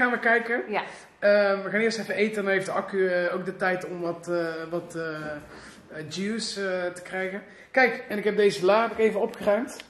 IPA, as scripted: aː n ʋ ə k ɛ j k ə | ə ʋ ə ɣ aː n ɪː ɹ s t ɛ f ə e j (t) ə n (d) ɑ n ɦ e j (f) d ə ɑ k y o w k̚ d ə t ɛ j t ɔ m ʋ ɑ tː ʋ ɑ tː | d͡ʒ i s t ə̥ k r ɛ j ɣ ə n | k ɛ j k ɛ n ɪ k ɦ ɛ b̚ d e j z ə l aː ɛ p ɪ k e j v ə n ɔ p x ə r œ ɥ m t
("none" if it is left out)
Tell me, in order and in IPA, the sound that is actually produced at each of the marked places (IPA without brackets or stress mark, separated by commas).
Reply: t, d, f